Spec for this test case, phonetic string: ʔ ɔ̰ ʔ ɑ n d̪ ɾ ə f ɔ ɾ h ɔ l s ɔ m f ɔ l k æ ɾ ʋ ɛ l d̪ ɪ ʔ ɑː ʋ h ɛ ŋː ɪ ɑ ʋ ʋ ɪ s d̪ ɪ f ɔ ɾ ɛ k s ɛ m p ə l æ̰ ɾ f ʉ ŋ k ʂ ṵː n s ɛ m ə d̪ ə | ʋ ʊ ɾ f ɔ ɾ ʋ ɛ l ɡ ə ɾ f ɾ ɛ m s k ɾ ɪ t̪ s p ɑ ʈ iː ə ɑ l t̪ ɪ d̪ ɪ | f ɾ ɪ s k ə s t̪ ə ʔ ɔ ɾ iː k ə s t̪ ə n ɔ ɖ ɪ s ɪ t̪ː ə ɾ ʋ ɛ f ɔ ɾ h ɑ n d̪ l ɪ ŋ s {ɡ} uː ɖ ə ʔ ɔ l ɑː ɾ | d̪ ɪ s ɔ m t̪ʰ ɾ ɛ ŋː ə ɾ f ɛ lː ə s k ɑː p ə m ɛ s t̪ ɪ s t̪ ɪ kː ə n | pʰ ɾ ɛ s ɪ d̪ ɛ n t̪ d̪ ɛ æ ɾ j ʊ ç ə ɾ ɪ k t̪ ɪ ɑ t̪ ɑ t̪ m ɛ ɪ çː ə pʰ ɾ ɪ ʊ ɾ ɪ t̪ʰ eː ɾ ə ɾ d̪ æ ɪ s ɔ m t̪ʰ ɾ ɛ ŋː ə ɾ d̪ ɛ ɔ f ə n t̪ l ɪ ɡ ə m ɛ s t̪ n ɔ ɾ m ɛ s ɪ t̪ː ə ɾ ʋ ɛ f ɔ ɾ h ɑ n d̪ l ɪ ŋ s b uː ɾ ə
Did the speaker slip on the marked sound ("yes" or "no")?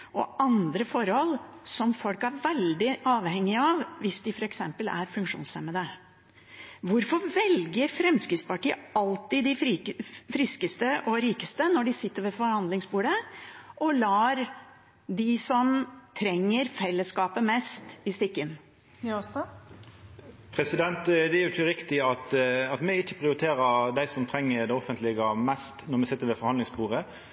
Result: yes